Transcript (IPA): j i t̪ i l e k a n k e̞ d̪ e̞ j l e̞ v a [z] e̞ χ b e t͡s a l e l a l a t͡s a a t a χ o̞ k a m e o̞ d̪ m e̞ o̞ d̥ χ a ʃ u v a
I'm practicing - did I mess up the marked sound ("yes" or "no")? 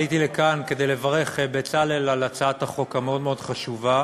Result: yes